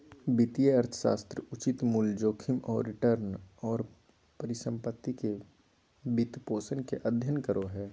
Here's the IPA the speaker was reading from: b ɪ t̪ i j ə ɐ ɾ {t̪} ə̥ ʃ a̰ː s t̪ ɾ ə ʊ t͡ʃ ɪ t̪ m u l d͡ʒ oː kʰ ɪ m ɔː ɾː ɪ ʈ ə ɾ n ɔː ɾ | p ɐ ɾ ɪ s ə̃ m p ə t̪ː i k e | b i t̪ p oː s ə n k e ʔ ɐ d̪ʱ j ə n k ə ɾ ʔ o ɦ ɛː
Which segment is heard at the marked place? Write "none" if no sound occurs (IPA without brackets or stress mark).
t̪ʰ